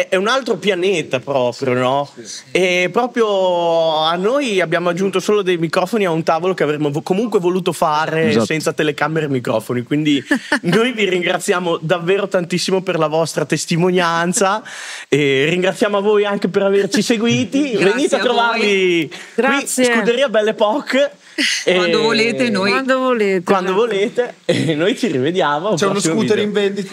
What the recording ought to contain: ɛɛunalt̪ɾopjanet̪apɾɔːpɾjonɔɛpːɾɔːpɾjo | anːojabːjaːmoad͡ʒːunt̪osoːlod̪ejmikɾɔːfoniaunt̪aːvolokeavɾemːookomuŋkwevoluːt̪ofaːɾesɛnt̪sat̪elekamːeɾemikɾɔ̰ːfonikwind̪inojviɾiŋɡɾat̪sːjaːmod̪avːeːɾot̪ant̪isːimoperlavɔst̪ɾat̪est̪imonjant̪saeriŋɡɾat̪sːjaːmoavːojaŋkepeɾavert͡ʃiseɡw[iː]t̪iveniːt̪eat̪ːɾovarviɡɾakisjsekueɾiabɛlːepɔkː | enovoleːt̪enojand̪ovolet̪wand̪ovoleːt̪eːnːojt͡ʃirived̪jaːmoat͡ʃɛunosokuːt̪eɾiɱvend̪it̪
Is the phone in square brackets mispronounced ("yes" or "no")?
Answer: no